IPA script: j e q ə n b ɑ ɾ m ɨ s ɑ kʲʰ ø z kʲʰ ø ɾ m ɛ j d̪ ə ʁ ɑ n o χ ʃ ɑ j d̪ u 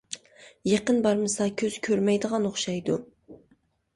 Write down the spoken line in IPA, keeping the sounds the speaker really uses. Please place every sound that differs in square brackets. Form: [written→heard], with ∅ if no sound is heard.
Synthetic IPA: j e q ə n b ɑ ɾ m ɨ s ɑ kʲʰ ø z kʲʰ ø ɾ m ɛ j d̪ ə ʁ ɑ n o χ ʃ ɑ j d̪ u